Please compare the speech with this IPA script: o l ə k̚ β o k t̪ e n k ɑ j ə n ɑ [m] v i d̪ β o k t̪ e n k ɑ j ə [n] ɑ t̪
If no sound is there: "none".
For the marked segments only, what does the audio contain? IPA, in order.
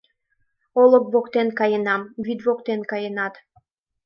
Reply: m, n

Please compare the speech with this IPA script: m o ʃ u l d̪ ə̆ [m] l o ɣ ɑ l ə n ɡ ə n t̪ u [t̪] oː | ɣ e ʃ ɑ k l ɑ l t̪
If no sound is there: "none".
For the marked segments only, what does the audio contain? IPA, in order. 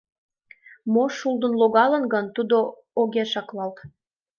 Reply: n, d̪

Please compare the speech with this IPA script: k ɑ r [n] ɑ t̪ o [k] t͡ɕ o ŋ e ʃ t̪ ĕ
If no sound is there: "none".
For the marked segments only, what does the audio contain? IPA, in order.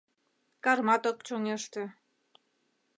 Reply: m, k

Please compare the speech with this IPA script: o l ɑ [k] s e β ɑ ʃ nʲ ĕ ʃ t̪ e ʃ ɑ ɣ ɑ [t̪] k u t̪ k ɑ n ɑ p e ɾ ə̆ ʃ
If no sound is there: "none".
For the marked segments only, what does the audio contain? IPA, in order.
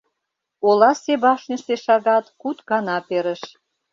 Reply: none, t̪

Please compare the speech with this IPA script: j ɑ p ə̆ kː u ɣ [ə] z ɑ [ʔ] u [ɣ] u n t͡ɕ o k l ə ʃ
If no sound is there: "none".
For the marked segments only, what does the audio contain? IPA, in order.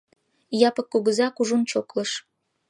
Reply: ə, k, ʒ

